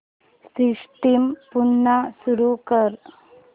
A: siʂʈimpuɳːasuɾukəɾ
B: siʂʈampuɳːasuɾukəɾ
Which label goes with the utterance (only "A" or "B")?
A